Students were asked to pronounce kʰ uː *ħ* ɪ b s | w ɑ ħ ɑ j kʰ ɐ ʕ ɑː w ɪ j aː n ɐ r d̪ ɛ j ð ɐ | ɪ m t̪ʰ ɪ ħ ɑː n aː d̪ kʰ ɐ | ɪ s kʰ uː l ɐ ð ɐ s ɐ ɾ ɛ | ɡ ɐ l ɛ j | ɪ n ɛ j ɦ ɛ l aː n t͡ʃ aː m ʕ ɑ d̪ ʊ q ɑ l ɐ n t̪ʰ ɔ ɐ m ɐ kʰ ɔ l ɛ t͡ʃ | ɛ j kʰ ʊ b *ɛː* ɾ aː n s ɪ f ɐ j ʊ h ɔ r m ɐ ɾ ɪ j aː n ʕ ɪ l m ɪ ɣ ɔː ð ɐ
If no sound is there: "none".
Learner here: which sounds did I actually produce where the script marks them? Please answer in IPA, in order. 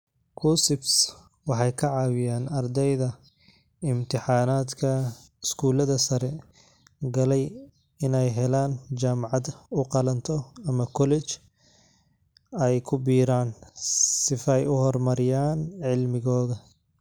s, iː

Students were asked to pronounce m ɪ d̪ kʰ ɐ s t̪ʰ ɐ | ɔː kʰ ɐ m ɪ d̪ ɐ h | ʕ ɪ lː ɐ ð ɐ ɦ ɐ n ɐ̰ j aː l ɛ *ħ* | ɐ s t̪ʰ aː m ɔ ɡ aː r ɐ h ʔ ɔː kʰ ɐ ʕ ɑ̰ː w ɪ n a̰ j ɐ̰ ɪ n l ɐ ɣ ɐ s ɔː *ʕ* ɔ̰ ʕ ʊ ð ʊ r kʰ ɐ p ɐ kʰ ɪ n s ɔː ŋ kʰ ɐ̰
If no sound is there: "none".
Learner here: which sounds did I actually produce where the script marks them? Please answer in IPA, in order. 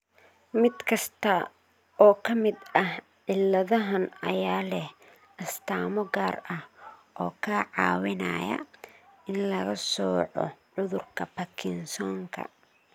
h, ʕ

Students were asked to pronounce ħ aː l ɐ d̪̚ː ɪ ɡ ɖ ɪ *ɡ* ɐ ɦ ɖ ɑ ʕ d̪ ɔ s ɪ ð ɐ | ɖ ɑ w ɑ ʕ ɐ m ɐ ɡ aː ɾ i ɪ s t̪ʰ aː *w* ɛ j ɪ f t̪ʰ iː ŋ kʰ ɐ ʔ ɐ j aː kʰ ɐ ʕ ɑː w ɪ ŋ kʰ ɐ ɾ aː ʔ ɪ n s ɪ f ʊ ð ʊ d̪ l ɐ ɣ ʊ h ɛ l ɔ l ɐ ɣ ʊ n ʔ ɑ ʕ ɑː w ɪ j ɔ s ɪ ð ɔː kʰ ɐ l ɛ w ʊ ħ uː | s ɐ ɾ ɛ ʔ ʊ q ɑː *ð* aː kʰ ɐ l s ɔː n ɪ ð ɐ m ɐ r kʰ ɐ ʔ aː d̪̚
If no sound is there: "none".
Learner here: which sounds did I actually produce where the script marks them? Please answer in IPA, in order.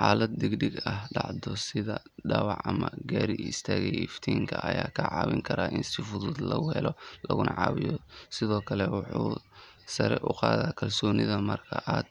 ɡ, ɣ, ð

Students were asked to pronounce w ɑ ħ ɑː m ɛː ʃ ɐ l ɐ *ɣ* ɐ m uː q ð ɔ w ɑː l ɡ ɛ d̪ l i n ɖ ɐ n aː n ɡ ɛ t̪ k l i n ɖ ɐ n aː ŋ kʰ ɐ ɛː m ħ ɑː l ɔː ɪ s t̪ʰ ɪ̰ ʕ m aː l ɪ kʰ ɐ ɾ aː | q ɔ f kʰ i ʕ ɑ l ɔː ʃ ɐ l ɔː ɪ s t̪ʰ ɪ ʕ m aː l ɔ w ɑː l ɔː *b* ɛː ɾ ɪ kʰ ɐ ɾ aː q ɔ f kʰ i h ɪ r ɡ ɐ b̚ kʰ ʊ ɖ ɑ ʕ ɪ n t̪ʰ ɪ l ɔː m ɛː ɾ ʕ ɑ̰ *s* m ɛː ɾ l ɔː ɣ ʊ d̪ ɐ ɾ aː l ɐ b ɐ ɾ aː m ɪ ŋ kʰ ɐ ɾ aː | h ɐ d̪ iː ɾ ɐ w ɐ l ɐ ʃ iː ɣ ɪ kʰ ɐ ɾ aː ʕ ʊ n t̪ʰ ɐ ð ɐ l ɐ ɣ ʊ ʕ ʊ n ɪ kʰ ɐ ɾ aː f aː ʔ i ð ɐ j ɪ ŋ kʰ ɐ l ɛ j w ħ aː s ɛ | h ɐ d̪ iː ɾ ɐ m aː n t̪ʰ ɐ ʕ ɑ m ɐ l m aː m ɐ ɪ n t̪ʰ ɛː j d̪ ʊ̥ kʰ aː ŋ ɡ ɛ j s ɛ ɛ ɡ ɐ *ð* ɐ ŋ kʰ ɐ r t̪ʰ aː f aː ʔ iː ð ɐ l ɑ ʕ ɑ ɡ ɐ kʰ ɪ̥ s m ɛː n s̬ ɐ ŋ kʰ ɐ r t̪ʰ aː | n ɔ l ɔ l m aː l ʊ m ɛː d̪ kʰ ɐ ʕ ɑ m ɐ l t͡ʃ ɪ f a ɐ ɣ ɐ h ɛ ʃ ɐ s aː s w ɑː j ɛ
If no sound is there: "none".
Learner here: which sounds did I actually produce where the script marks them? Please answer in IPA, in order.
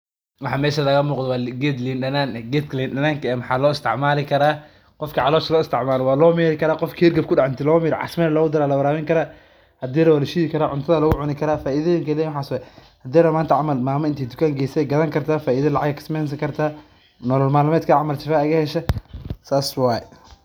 ɣ, m, s, ð

